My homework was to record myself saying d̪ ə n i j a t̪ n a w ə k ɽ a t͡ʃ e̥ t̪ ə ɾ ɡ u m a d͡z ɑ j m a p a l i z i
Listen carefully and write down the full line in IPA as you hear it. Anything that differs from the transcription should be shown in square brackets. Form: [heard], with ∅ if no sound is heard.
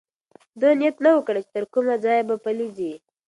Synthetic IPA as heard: d̪ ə n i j a t̪ n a w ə k ɽ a t͡ʃ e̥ t̪ ə ɾ [k] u m a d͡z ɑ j [b] a p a l i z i